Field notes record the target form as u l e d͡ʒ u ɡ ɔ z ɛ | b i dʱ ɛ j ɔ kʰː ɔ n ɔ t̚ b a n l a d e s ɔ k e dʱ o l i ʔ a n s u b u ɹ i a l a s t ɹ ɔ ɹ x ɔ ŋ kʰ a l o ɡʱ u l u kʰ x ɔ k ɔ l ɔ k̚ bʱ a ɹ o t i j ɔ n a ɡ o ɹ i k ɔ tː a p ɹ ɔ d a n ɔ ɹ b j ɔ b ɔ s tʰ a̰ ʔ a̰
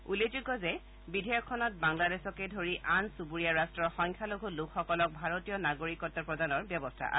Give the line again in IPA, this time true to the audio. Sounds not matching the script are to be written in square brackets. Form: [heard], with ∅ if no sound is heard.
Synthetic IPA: u l e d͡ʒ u ɡ ɔ z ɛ | b i dʱ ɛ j ɔ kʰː ɔ n ɔ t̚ b a [ŋ] l a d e s ɔ k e dʱ o [ɹ] i ʔ a n s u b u ɹ i a [ɹ] a s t ɹ ɔ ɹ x ɔ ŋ kʰ a l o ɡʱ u l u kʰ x ɔ k ɔ l ɔ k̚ bʱ a ɹ o t i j ɔ n a ɡ o ɹ i k ɔ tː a p ɹ ɔ d a n ɔ ɹ b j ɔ b ɔ s tʰ a̰ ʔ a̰